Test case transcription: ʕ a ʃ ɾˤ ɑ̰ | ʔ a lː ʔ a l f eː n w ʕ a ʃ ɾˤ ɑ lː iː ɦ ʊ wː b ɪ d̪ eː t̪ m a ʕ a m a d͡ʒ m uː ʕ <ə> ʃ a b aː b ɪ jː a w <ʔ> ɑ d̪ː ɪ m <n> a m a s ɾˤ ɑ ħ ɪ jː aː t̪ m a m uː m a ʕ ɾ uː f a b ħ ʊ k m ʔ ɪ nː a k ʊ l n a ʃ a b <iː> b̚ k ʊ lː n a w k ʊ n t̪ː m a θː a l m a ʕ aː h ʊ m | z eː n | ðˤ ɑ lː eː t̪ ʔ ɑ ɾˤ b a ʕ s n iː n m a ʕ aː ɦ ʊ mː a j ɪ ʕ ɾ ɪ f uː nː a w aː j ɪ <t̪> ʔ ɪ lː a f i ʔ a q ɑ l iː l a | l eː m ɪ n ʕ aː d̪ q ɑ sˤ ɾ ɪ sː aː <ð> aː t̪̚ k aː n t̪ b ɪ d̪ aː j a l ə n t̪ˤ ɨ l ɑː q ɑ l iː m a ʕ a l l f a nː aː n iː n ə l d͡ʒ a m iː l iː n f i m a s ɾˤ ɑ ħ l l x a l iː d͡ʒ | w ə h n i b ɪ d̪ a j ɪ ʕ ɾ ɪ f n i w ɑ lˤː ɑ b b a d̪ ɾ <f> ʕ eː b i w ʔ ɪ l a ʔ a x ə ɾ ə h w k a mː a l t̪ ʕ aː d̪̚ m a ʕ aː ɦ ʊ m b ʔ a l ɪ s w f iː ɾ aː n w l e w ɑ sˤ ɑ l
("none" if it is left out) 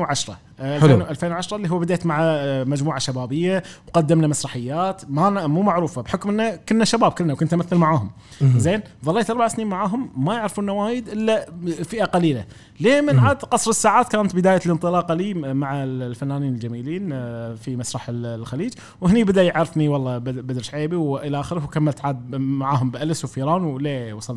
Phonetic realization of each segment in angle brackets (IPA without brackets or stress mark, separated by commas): a, q, n, aː, d̪, ʕ, ʃ